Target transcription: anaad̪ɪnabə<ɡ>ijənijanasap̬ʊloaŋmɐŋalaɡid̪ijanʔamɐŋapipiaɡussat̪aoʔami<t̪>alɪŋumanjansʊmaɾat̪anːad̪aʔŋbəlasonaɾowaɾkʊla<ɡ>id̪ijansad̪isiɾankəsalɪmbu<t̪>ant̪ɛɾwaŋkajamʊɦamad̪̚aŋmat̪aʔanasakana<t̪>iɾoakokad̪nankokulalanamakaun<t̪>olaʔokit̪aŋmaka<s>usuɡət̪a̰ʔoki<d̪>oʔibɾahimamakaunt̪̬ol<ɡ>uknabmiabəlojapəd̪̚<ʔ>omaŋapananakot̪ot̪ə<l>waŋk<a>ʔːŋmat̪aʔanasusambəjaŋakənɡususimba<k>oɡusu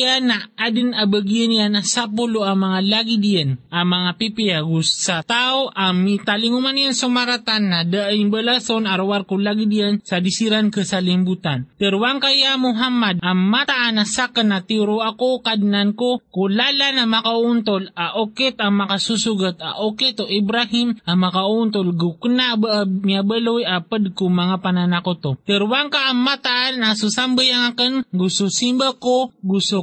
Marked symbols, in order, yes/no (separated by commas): yes, yes, yes, yes, yes, yes, yes, no, yes, no, no, yes, yes